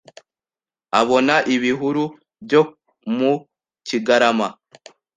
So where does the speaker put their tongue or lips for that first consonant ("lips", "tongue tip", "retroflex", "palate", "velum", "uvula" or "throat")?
lips